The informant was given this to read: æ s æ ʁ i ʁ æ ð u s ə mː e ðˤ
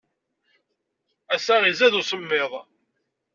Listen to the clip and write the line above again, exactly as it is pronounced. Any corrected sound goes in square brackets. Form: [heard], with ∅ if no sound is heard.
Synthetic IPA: æ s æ ʁ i [z] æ ð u s ə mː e ðˤ

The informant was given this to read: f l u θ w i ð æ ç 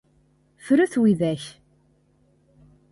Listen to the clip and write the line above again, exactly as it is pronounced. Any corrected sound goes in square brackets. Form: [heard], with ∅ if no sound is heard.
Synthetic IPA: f [ɾ] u θ w i ð æ ç

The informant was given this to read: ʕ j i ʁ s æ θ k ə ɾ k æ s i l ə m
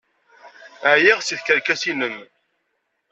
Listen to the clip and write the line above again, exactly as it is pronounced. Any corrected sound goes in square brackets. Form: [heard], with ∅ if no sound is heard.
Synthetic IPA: ʕ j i ʁ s [i] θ k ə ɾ k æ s i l ə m

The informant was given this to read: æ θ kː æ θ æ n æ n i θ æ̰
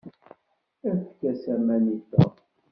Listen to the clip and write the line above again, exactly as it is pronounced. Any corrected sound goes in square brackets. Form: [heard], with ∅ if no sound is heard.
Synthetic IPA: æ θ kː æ [s] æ [m] æ n i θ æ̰

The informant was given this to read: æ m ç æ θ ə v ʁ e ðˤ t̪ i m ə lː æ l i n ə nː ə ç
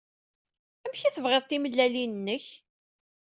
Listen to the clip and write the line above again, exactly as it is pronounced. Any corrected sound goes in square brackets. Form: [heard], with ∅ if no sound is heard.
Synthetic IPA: æ m ç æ θ ə v ʁ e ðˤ t̪ i m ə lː æ l i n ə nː ə ç

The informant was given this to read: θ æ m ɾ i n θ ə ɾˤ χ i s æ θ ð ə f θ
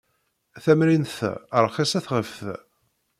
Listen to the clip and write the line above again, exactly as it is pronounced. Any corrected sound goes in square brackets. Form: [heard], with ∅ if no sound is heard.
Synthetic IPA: θ æ m ɾ i n θ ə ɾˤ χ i s æ θ [ʁ] ə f θ

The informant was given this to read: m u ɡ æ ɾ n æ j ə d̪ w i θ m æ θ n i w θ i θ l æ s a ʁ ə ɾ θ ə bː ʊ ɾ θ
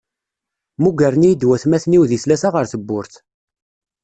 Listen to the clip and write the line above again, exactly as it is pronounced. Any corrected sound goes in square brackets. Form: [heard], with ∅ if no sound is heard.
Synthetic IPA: m u ɡ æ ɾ n [i] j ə d̪ w [æ] θ m æ θ n i w [ð] i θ l æ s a ʁ ə ɾ θ ə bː ʊ ɾ θ

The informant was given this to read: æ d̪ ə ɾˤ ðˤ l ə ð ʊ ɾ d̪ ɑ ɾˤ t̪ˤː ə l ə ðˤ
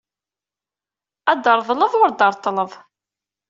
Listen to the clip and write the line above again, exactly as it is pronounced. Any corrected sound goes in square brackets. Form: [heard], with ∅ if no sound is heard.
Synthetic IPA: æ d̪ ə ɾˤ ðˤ l ə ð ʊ ɾ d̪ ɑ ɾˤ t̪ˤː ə l ə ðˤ

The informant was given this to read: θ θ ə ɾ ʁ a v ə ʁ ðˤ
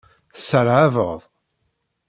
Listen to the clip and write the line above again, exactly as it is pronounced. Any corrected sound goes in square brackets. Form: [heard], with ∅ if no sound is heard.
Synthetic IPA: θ [s] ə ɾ [ʕ] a v ə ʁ ðˤ

